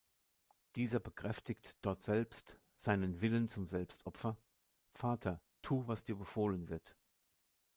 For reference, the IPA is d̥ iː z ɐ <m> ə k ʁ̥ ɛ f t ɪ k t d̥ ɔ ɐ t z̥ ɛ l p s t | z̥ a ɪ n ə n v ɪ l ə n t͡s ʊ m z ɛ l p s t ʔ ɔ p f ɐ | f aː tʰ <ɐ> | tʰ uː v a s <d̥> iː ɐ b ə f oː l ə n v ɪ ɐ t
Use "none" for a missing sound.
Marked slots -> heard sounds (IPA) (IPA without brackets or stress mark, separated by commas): b, ɐ, d̥